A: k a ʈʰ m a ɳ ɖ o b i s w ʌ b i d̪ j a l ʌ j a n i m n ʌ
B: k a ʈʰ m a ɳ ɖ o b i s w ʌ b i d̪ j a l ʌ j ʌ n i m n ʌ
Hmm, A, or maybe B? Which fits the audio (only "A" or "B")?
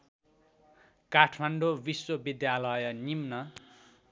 B